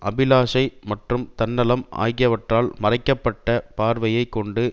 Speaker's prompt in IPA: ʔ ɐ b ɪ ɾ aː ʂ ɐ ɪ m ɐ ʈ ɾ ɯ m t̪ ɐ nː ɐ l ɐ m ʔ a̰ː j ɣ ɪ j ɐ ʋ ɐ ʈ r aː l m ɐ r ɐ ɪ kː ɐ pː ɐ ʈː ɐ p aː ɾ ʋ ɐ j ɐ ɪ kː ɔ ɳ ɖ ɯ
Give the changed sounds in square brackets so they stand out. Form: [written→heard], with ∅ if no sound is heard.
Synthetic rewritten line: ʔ ɐ b ɪ [ɾ→l] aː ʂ ɐ ɪ m ɐ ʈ [ɾ→r] ɯ m t̪ ɐ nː ɐ l ɐ m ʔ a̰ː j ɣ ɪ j ɐ ʋ ɐ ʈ r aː l m ɐ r ɐ ɪ kː ɐ pː ɐ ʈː ɐ p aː ɾ ʋ ɐ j ɐ ɪ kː ɔ ɳ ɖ ɯ